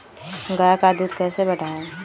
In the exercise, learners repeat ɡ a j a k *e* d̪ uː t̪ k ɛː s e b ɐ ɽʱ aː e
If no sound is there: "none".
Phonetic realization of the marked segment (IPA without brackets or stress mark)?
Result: a